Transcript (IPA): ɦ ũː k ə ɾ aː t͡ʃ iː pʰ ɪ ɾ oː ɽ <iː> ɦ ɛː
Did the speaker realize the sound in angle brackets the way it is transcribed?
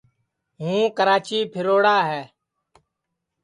no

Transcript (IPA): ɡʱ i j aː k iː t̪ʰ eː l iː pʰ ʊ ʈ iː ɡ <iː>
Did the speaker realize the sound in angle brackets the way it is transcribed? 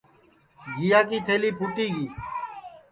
yes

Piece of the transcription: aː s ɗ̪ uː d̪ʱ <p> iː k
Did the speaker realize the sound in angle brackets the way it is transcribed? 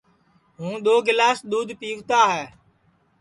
yes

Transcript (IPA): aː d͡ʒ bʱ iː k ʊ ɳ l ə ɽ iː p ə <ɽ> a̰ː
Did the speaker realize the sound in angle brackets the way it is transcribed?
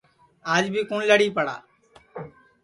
yes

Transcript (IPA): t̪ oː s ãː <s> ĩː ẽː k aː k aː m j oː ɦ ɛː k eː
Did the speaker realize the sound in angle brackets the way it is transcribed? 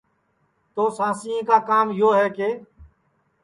yes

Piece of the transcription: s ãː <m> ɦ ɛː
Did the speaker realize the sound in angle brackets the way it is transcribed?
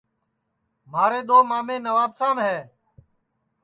yes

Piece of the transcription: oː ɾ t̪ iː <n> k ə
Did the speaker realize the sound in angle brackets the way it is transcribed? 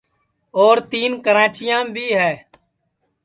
yes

